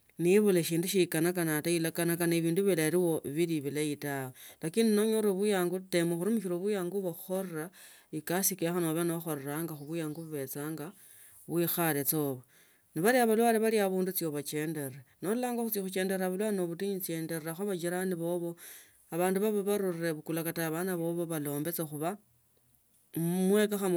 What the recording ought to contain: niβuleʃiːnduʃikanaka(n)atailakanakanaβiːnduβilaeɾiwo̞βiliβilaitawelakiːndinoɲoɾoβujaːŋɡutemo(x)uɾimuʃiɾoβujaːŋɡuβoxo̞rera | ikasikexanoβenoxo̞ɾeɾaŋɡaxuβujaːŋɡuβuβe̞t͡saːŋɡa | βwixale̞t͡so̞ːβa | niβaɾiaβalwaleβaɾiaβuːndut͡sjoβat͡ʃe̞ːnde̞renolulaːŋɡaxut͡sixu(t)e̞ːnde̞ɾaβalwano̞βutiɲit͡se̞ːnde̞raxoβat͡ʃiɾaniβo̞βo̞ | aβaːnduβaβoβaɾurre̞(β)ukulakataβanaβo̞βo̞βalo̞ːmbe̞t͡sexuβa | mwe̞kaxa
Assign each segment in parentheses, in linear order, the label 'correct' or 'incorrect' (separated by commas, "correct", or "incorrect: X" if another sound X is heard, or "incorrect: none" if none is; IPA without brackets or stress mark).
correct, correct, incorrect: t͡ʃ, correct